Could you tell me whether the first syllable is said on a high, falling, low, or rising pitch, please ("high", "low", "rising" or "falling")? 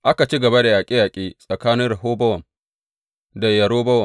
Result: high